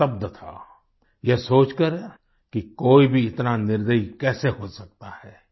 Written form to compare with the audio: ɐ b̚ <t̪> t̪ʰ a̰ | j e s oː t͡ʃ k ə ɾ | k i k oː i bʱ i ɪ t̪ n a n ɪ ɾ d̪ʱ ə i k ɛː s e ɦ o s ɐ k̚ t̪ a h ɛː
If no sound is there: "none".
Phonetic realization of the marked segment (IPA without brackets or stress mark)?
d̪